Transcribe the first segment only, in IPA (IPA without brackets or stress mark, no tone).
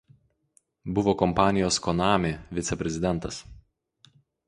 b